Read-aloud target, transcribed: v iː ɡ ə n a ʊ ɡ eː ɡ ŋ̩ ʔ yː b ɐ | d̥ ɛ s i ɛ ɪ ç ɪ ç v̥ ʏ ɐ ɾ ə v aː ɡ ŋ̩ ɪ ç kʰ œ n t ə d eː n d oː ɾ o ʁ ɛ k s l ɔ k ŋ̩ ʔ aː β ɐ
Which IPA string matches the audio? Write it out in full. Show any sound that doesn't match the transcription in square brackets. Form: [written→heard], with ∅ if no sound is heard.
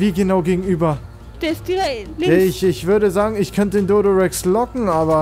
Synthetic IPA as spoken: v iː ɡ ə n a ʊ ɡ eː ɡ ŋ̩ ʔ yː b ɐ | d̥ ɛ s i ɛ ɪ ç ɪ ç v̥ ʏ ɐ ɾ ə [v→z] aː ɡ ŋ̩ ɪ ç kʰ œ n t ə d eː n d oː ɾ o ʁ ɛ k s l ɔ k ŋ̩ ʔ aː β ɐ